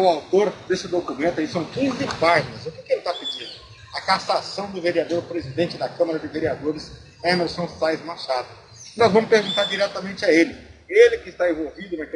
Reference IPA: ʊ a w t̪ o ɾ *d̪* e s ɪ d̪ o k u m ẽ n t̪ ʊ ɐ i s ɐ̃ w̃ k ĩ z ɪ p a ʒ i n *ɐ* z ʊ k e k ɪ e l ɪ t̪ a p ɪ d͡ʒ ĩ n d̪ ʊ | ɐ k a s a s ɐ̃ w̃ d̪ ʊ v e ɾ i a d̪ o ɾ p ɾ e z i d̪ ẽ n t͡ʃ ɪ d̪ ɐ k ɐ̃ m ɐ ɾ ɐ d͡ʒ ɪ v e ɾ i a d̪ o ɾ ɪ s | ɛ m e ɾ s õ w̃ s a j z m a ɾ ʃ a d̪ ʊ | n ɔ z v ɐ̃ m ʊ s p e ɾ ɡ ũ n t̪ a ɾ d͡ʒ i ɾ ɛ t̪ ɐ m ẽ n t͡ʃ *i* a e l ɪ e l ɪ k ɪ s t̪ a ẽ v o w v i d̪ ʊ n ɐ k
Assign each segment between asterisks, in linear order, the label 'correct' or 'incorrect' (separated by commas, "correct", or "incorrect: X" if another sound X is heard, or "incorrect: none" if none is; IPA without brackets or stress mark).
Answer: correct, correct, incorrect: ɪ